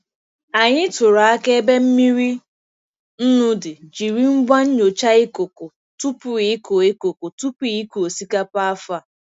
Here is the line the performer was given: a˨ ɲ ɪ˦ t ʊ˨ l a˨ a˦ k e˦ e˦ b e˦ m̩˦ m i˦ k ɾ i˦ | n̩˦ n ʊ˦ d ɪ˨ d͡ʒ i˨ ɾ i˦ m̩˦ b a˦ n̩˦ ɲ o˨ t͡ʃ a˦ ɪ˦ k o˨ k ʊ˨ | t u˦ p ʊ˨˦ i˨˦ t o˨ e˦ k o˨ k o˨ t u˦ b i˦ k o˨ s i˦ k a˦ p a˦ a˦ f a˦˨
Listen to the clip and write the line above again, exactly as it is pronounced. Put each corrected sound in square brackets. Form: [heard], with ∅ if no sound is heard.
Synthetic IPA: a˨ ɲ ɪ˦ t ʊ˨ [ɾ] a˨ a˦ k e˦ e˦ b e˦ m̩˦ m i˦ [∅] ɾ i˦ | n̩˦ n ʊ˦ d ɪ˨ d͡ʒ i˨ ɾ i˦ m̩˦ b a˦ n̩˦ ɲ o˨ t͡ʃ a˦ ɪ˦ k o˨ k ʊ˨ | t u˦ p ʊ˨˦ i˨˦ [k] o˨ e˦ k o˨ k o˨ t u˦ [p] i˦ k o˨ s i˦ k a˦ p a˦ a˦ f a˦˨